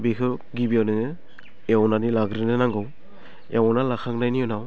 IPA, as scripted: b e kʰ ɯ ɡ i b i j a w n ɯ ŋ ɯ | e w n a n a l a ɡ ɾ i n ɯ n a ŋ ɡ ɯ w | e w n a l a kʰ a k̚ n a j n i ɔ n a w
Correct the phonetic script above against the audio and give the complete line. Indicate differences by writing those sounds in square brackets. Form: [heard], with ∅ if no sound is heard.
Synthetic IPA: b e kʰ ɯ ɡ i b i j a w n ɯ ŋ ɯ | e w n a n [i] l a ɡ ɾ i n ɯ n a ŋ ɡ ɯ w | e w n a l a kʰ a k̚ n a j n i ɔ n a w